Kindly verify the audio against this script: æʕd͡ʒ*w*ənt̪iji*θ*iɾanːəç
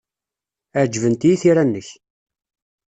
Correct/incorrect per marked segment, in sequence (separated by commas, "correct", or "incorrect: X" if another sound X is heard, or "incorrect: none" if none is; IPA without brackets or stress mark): incorrect: v, correct